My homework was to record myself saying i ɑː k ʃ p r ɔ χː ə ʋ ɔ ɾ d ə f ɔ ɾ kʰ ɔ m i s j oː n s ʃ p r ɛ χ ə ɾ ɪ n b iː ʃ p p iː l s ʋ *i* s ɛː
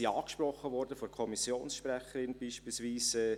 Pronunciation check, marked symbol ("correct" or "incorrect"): incorrect